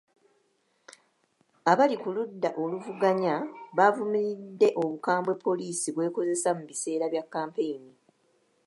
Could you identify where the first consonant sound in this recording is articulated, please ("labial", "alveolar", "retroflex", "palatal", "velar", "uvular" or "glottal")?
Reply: labial